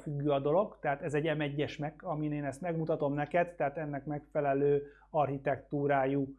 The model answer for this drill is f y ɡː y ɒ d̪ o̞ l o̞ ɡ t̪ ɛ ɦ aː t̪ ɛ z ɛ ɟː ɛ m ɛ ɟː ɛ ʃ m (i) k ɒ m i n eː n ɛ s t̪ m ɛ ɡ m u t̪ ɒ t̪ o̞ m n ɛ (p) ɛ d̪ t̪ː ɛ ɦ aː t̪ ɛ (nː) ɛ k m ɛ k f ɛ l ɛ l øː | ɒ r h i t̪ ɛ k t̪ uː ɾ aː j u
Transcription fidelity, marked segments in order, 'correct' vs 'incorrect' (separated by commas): incorrect, incorrect, correct